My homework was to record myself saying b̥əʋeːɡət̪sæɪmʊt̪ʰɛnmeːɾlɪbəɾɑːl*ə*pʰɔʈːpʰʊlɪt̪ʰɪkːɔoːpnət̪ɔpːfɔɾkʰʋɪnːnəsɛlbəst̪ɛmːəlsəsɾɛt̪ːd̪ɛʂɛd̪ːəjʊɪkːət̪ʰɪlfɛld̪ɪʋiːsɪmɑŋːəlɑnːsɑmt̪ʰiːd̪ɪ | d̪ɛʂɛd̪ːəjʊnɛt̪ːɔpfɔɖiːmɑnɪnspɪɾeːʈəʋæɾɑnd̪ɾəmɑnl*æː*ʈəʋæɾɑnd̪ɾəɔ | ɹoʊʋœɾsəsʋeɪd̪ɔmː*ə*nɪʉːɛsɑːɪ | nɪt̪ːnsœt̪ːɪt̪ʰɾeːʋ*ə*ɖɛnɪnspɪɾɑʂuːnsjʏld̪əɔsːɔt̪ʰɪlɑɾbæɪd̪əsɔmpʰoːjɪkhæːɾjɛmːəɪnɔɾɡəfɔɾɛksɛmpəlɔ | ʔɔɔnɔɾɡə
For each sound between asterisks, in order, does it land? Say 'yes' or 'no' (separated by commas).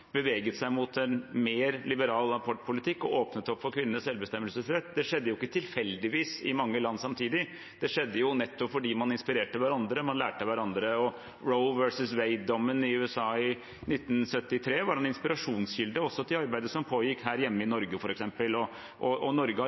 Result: no, yes, yes, no